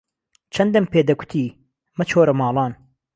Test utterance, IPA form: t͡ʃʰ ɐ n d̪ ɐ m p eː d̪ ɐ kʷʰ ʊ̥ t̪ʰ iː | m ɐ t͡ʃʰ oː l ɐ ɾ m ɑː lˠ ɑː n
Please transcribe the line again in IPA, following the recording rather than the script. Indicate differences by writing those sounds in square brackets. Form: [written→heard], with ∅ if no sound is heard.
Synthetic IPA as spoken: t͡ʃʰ ɐ n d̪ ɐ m p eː d̪ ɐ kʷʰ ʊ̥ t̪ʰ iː | m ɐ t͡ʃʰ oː [l→ɾ] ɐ [ɾ→∅] m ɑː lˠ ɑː n